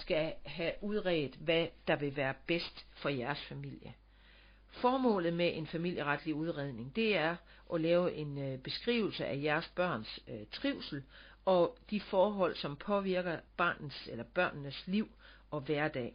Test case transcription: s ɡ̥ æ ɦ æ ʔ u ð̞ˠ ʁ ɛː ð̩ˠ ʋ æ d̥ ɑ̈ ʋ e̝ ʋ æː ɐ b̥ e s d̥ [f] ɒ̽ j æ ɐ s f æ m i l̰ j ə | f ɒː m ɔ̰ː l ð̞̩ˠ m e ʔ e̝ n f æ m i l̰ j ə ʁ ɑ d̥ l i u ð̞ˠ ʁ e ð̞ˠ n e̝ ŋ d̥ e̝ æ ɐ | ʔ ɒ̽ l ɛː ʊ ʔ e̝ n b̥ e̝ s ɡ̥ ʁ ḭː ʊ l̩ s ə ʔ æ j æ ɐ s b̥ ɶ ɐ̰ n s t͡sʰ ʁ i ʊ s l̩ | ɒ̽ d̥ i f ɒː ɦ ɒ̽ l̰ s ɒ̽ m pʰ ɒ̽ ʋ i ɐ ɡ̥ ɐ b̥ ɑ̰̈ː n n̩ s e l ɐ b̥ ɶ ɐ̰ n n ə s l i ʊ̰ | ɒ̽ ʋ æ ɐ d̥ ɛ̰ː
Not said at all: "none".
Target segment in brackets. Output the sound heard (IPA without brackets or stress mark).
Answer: f